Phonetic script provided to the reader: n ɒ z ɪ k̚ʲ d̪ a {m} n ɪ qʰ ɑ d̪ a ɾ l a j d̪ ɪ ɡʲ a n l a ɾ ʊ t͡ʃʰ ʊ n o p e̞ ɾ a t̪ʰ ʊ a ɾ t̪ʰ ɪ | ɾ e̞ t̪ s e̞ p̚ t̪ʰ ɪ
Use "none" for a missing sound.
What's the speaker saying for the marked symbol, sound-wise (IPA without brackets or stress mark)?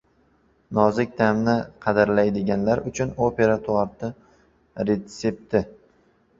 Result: m